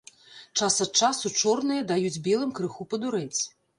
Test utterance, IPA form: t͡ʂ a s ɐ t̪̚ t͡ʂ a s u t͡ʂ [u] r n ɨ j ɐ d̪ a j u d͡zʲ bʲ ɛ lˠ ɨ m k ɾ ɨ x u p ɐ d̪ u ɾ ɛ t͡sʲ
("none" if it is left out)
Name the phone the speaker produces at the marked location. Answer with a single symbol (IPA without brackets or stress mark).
ɔ